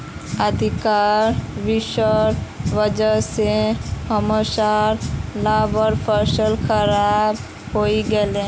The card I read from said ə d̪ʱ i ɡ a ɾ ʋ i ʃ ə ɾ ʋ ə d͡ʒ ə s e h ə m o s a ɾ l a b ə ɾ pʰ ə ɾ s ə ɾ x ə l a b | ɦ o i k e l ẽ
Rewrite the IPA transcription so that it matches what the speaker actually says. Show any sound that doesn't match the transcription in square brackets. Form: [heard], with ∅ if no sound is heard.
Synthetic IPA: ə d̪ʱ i [k] a ɾ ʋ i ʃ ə ɾ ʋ ə d͡ʒ ə s e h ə m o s a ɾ l a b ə ɾ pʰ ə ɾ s ə [l] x ə [ɾ] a b | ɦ o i [ɡ] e l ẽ